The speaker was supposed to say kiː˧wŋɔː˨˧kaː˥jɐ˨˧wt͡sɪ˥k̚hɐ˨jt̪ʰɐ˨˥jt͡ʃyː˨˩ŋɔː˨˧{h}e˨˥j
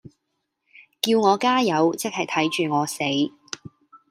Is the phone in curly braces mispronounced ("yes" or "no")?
yes